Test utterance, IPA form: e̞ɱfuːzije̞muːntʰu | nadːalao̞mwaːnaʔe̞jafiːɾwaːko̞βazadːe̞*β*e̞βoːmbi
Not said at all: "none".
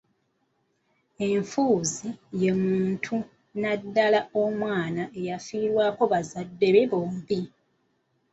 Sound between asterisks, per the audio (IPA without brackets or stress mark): β